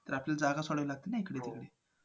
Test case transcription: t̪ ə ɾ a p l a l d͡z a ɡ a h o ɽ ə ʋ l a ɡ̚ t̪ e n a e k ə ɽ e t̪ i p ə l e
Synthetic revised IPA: t̪ ə ɾ a p l a l d͡z a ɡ a s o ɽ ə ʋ l a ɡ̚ t̪ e n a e k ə ɽ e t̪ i k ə ɽ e